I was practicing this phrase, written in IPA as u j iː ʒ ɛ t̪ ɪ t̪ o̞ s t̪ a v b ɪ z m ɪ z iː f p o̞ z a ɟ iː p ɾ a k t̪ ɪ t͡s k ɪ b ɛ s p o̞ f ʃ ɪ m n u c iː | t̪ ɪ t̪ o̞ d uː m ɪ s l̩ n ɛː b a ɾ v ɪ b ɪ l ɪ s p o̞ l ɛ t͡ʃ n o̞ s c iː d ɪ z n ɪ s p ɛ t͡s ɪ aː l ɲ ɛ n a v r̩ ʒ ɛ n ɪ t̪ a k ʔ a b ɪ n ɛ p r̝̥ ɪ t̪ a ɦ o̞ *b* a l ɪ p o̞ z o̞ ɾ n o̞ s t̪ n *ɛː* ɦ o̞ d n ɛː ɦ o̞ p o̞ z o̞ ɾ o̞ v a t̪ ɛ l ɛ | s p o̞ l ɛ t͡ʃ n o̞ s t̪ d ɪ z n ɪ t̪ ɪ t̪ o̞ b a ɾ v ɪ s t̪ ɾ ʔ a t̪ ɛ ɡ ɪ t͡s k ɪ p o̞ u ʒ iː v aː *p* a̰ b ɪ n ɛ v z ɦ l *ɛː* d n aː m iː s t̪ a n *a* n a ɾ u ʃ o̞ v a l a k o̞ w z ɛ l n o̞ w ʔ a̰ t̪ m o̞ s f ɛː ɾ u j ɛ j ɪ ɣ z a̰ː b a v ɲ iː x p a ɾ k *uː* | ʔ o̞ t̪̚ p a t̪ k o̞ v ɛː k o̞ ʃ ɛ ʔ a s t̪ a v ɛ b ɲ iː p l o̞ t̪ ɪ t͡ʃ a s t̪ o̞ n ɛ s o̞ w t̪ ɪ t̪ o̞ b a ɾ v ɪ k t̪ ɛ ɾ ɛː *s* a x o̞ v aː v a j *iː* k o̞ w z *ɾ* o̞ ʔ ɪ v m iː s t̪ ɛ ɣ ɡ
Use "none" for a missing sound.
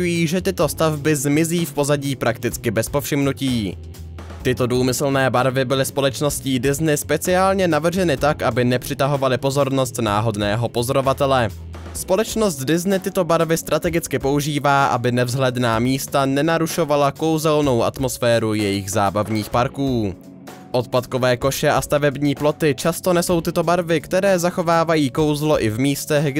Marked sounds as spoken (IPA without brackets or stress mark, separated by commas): v, aː, ʔ, ɛ, ɛ, uː, z, iː, l